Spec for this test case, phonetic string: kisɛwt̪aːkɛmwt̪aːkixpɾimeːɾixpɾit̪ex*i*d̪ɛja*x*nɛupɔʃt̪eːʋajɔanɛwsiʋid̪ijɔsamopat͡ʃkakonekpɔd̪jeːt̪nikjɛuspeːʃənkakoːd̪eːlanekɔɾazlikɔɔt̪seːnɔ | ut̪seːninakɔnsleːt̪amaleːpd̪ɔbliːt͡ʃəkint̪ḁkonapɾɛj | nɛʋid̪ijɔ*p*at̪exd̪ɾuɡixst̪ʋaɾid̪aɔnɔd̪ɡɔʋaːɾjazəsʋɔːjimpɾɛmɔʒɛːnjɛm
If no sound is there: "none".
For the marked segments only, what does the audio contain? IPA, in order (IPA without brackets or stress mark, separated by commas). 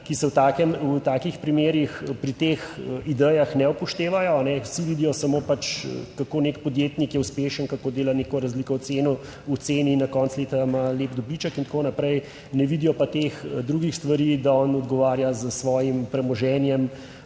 i, x, p